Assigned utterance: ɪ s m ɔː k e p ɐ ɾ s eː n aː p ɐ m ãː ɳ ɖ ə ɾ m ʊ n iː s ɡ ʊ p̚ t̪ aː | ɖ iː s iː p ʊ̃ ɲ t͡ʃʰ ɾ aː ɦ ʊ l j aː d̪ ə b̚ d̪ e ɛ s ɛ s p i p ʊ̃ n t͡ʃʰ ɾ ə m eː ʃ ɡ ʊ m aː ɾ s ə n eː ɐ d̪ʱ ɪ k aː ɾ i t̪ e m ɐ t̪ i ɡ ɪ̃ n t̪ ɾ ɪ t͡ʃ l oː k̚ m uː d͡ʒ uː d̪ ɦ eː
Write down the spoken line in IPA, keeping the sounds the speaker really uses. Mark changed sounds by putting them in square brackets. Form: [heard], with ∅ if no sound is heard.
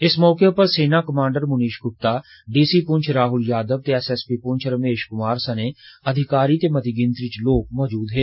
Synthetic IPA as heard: ɪ s m ɔː k e p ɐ ɾ s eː n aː [k] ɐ m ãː ɳ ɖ ə ɾ m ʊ n iː [ʃ] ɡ ʊ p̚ t̪ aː | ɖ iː s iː p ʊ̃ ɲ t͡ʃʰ ɾ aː ɦ ʊ l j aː d̪ ə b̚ [t̪] e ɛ s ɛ s p i p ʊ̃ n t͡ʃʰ ɾ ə m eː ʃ [k] ʊ m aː ɾ s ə n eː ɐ d̪ʱ ɪ k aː ɾ i t̪ e m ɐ t̪ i ɡ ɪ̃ n t̪ ɾ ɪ t͡ʃ l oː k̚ m [ɔː] d͡ʒ uː d̪ ɦ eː

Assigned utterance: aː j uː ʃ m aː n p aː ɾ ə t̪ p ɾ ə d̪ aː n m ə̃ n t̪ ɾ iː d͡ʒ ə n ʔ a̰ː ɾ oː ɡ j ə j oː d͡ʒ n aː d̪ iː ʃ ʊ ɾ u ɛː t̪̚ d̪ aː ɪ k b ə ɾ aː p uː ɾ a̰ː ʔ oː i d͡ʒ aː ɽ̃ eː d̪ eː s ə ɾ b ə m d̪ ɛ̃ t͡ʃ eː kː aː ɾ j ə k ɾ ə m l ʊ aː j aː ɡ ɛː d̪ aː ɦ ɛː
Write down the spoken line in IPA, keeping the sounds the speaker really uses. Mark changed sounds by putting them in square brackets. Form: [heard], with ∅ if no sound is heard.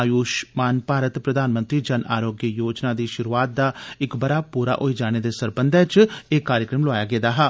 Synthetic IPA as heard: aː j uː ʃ m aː n p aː ɾ ə t̪ p ɾ ə d̪ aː n m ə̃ n t̪ ɾ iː d͡ʒ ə n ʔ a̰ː ɾ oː ɡ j ə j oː d͡ʒ n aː d̪ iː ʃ ʊ ɾ u [aː] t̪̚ d̪ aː ɪ k b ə ɾ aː p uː ɾ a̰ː ʔ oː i d͡ʒ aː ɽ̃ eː d̪ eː s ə ɾ b ə [n] d̪ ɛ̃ t͡ʃ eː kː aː ɾ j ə k ɾ ə m l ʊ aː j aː ɡ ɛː d̪ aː ɦ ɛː

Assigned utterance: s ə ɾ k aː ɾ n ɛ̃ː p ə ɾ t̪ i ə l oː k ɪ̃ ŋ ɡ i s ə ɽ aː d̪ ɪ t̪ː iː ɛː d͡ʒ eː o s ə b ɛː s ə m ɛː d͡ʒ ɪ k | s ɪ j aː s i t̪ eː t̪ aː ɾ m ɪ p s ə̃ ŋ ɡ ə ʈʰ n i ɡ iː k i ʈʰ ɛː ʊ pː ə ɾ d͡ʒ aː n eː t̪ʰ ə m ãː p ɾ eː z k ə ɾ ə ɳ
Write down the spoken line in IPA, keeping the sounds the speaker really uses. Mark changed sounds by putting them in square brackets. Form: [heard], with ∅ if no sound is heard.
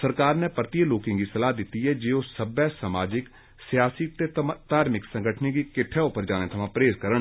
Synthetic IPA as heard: s ə ɾ k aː ɾ n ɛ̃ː p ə ɾ t̪ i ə l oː k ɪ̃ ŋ ɡ i s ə [l] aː d̪ ɪ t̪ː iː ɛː d͡ʒ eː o s ə b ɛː s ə m [aː] d͡ʒ ɪ k | s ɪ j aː s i t̪ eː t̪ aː ɾ m ɪ [k] s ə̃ ŋ ɡ ə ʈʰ n i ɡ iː k [ɪ] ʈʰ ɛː ʊ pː ə ɾ d͡ʒ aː n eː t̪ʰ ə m ãː p ɾ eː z k ə ɾ ə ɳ

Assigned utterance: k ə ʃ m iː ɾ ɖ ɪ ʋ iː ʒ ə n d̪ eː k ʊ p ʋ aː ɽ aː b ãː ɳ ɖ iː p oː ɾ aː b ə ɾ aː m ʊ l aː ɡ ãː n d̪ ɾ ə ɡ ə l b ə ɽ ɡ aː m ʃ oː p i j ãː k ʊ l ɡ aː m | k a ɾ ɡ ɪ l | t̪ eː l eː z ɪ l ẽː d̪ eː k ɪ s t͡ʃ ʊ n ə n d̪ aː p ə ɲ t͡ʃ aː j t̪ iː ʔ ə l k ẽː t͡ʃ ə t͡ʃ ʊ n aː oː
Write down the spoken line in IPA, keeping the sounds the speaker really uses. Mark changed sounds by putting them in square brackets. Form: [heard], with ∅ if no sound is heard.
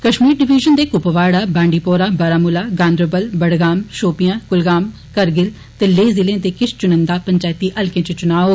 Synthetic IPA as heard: k ə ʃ m iː ɾ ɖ ɪ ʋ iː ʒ ə n d̪ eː k ʊ p ʋ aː ɽ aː b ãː ɳ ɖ iː p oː ɾ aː b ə ɾ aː m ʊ l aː ɡ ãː n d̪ ɾ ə [b] ə l b ə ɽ ɡ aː m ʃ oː p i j ãː k ʊ l ɡ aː m | k [ə] ɾ ɡ ɪ l | t̪ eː l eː z ɪ l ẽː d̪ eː k ɪ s t͡ʃ ʊ n ə n d̪ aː p ə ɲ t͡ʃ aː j t̪ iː ʔ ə l k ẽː t͡ʃ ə t͡ʃ ʊ n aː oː

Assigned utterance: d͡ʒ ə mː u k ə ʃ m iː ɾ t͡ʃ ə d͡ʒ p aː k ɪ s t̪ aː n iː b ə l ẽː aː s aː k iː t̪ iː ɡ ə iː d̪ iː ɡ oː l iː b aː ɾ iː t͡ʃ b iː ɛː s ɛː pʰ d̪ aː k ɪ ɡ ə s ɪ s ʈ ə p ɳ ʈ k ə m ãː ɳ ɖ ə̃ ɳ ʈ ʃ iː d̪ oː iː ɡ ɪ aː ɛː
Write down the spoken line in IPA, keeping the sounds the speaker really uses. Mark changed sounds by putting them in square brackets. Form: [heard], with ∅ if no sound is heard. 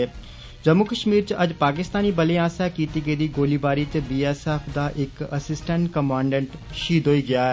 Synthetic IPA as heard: d͡ʒ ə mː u k ə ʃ m iː ɾ t͡ʃ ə d͡ʒ p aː k ɪ s t̪ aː n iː b ə l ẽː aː s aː k iː t̪ iː ɡ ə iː d̪ iː ɡ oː l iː b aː ɾ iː t͡ʃ b iː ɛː s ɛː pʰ d̪ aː [ʔ] ɪ [k] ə s ɪ s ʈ ə [∅] ɳ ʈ k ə m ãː ɳ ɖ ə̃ ɳ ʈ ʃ iː d̪ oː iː ɡ ɪ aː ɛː

